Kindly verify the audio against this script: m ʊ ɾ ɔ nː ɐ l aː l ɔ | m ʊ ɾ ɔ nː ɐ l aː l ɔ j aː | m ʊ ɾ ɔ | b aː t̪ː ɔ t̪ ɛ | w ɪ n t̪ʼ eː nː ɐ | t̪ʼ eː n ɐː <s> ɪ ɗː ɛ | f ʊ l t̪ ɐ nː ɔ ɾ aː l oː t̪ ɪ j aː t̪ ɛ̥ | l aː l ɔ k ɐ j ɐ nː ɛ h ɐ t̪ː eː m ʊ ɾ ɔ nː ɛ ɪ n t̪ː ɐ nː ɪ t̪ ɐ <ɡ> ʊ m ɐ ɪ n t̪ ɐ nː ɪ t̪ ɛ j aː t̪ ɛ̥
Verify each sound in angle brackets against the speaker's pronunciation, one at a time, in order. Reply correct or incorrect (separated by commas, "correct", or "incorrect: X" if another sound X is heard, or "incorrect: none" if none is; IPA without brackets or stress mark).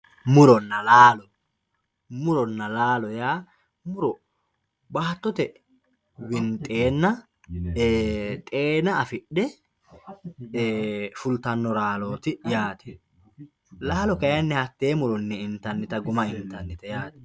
incorrect: f, correct